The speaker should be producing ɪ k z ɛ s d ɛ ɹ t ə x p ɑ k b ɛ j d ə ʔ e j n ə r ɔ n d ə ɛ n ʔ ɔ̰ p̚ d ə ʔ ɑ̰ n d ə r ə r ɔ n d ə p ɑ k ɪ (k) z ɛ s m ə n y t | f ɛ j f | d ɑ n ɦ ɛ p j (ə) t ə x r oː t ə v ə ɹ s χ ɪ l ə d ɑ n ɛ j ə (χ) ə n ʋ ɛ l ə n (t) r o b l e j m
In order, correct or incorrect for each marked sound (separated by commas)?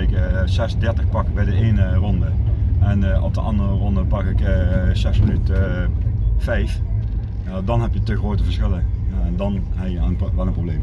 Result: correct, correct, incorrect, incorrect